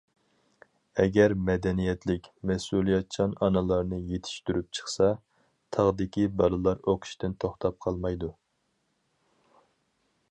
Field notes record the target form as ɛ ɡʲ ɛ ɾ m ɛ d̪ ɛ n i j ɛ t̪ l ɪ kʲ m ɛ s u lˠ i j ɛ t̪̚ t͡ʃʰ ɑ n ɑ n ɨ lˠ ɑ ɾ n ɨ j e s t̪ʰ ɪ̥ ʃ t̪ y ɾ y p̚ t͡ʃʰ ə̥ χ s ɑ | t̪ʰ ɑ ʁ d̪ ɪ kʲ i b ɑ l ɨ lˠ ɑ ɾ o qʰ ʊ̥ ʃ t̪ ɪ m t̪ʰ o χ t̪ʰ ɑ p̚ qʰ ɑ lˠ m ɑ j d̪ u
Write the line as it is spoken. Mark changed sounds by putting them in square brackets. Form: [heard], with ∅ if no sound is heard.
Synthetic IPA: ɛ ɡʲ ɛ ɾ m ɛ d̪ ɛ n i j ɛ t̪ l ɪ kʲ m ɛ s u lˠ i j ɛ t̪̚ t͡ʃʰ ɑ n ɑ n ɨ lˠ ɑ ɾ n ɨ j e [∅] t̪ʰ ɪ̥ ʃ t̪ y ɾ y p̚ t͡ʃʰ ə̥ χ s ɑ | t̪ʰ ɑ ʁ d̪ ɪ kʲ i b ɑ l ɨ lˠ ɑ ɾ o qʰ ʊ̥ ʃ t̪ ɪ [n] t̪ʰ o χ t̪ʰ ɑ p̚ qʰ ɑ lˠ m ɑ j d̪ u